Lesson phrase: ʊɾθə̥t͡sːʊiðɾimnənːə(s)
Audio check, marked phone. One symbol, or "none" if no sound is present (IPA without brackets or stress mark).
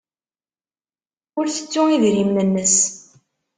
s